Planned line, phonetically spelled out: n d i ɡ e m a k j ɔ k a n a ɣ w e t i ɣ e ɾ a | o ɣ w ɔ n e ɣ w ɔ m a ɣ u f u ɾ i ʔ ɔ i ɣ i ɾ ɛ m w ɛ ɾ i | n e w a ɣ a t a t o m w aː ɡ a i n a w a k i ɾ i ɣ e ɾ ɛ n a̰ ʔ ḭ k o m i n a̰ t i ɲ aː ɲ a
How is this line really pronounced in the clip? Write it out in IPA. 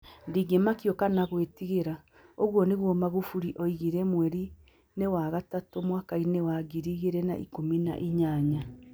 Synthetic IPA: n d i ɡ e m a k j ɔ k a n a ɣ w e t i ɣ e ɾ a | o ɣ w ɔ n e ɣ w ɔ m a ɣ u f u ɾ i ʔ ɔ i ɣ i ɾ ɛ m w ɛ ɾ i | n e w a ɣ a t a t o m w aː k a i n e w a ɡ i ɾ i ɣ e ɾ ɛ n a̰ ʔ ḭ k o m i n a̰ ʔ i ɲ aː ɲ a